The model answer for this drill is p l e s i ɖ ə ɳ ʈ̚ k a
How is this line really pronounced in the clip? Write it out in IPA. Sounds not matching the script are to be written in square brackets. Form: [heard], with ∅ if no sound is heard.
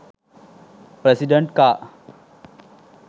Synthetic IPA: p [ɾ] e s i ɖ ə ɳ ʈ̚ k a